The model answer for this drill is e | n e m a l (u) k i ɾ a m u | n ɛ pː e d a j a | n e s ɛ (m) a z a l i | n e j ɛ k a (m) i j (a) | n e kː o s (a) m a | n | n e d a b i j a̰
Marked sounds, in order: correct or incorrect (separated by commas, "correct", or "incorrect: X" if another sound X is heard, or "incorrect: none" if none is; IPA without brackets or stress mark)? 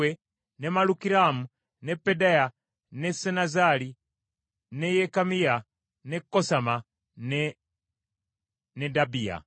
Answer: correct, incorrect: n, correct, correct, correct